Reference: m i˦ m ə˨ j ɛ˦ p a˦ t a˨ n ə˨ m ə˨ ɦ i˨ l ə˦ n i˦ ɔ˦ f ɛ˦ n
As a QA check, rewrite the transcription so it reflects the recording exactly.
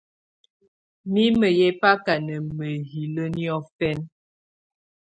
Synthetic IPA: m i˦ m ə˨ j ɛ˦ p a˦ k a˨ n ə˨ m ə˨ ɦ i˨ l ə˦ n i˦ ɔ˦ f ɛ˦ n